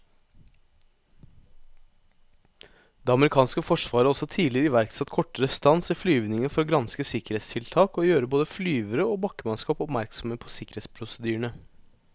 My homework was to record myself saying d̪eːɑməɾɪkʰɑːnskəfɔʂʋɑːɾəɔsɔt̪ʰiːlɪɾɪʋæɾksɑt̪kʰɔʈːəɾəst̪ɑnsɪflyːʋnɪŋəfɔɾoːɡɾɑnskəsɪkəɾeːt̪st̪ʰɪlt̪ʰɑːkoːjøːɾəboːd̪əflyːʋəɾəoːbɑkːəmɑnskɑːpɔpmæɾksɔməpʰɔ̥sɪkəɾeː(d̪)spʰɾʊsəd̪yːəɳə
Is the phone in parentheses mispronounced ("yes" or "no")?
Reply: yes